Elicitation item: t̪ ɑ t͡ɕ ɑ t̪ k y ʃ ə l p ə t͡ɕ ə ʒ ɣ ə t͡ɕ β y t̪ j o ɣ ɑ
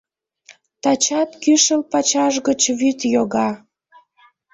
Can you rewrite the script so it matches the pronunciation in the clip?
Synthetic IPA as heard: t̪ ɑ t͡ɕ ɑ t̪ k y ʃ ə l p ɑ t͡ɕ ɑ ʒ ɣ ə t͡ɕ β y t̪ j o ɣ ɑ